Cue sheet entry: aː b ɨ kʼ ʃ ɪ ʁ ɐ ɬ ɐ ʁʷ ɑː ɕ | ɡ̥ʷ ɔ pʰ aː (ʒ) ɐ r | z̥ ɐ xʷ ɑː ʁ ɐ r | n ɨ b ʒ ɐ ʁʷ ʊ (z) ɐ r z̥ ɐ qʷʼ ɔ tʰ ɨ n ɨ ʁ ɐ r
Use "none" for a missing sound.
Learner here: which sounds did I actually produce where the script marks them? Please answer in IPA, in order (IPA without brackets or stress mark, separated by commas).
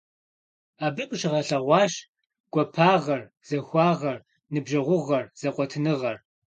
ʁ, ʁ